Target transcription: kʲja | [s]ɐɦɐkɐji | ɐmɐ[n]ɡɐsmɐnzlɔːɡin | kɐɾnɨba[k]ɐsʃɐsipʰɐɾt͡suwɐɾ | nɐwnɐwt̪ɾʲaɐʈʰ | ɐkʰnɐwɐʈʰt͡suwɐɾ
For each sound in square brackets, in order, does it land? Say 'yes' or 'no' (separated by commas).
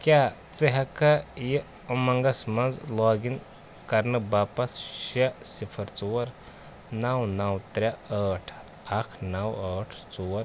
no, no, no